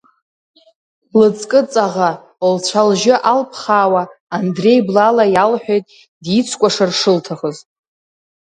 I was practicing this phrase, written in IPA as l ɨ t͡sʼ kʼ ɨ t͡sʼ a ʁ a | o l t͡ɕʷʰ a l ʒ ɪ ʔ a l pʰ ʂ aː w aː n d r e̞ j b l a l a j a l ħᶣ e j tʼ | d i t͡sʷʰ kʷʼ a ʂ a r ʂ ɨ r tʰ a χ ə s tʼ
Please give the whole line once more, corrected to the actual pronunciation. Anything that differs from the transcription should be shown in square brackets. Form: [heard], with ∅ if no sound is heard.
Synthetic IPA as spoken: l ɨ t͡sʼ kʼ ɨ t͡sʼ a ʁ a | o l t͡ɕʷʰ a l ʒ ɪ ʔ a l pʰ [χ] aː w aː n d r e̞ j b l a l a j a l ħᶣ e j tʼ | d i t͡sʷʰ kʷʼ a ʂ a r ʂ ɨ [l] tʰ a χ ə [z] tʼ